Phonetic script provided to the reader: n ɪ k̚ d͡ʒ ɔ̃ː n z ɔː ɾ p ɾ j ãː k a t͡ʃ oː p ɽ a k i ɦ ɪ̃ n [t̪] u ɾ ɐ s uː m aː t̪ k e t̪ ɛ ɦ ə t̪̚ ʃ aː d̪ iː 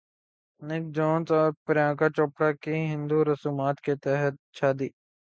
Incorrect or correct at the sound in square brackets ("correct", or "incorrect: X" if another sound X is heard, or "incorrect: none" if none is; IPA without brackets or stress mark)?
incorrect: d̪